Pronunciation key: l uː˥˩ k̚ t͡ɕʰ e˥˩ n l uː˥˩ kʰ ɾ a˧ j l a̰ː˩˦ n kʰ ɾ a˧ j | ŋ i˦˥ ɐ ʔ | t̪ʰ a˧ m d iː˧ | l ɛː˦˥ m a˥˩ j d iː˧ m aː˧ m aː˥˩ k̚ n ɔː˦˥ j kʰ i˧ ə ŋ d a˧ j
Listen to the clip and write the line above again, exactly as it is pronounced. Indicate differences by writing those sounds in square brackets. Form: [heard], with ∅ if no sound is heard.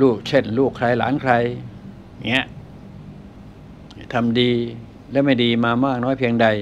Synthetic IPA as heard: l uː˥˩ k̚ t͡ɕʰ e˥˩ n l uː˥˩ kʰ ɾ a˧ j l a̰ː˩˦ n kʰ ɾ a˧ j | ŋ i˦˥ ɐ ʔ | t̪ʰ a˧ m d iː˧ | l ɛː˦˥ m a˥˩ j d iː˧ m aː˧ m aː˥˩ k̚ n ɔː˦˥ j [pʰ] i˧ ə ŋ d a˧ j